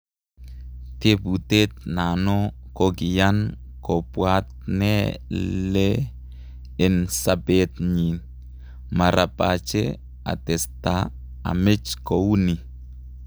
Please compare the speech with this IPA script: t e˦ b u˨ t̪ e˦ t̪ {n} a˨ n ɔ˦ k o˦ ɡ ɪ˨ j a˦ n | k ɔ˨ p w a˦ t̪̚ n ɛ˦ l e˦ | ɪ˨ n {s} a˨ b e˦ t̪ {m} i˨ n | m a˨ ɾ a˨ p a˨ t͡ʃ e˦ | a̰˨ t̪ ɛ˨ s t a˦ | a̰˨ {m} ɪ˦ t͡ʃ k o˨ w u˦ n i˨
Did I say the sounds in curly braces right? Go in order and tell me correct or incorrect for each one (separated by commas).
correct, correct, incorrect, correct